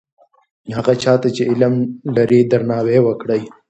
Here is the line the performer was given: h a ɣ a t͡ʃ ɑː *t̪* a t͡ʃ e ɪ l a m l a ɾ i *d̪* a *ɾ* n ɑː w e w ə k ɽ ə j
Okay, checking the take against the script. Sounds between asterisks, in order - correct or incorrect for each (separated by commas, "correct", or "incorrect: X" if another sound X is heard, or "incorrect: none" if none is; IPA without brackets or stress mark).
correct, correct, correct